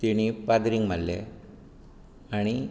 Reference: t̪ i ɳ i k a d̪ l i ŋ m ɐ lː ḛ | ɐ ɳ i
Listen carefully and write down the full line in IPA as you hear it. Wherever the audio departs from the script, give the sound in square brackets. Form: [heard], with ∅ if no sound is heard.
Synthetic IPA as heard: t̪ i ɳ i [p] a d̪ [ɾ] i ŋ m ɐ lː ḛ | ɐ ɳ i